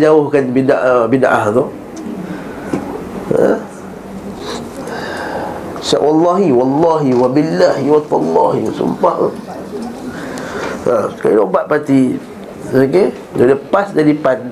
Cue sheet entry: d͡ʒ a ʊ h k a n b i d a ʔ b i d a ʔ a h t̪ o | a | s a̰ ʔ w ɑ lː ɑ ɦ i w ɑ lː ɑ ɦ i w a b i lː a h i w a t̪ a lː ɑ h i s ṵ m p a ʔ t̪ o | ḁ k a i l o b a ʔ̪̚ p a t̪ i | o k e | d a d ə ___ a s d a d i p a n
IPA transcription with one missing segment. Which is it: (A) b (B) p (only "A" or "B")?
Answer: B